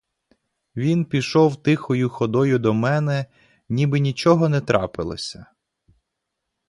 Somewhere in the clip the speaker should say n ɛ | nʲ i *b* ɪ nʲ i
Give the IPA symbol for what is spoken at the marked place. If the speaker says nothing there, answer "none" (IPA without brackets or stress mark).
b